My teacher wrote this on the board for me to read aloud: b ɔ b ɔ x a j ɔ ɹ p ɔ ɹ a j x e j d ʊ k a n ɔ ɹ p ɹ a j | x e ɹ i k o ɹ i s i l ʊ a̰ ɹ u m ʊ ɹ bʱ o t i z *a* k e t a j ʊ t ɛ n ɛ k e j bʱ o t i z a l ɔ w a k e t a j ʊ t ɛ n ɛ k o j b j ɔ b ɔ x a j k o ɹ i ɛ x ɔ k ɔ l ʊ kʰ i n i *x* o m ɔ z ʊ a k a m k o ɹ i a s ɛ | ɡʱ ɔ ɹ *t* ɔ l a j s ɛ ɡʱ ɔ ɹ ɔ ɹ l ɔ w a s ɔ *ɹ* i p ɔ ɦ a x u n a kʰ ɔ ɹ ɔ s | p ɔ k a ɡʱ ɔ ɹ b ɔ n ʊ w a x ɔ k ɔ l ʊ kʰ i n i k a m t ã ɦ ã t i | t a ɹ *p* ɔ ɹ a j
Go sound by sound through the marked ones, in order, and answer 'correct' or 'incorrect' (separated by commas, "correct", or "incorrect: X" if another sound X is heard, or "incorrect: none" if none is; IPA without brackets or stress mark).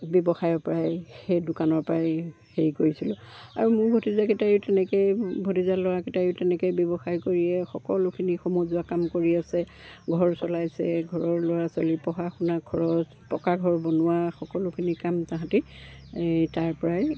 correct, correct, incorrect: s, incorrect: l, correct